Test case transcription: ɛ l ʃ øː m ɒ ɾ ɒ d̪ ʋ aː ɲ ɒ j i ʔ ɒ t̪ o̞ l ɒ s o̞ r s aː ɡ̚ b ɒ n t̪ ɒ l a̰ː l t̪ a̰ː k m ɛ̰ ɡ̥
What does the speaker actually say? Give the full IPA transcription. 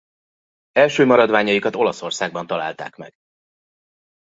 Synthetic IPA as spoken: ɛ l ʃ øː m ɒ ɾ ɒ d̪ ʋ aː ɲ ɒ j i k ɒ t̪ o̞ l ɒ s o̞ r s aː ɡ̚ b ɒ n t̪ ɒ l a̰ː l t̪ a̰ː k m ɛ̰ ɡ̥